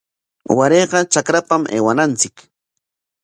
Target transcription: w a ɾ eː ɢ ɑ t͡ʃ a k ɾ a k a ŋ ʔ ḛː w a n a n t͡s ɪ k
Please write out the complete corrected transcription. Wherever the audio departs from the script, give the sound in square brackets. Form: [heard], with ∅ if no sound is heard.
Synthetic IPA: w a ɾ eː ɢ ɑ t͡ʃ a k ɾ a [p] a [m] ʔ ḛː w a n a n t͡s ɪ k